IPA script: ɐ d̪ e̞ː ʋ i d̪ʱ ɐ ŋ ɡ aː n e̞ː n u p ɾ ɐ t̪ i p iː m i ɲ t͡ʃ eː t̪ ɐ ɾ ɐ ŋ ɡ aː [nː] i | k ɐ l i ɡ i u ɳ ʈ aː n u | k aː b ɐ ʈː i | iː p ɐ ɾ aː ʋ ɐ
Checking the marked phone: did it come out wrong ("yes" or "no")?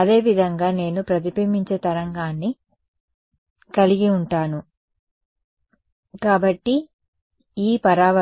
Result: no